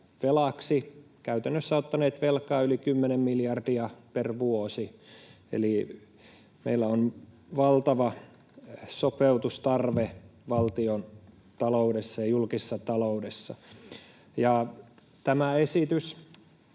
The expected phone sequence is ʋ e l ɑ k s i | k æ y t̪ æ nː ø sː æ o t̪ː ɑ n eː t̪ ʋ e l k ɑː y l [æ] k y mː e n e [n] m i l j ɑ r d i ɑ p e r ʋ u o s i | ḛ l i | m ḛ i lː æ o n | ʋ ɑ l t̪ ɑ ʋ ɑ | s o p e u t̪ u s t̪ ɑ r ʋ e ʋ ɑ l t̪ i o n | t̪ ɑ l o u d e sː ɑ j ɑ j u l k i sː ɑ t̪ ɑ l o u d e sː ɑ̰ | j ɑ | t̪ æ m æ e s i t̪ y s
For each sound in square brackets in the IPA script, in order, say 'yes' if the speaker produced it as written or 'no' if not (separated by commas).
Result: no, no